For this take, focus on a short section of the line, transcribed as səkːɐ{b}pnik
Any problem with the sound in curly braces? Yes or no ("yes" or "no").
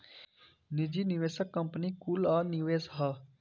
yes